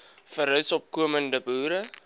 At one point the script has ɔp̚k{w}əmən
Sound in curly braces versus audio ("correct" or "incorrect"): incorrect